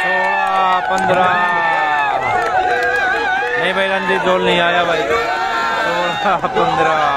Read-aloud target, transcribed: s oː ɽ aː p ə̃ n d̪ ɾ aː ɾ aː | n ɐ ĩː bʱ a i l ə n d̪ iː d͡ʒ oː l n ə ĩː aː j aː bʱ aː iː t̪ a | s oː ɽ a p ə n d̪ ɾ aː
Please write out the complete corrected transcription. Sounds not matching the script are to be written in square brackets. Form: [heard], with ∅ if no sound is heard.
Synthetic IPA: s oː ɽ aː p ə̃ n d̪ ɾ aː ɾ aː | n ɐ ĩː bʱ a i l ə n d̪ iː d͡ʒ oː l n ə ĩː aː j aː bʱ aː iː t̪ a | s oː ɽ a p ə n d̪ ɾ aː